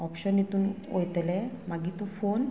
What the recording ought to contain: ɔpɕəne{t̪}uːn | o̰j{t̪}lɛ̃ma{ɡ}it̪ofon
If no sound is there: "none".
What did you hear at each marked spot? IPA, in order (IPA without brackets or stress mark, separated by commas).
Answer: t̪, t̪, ɡ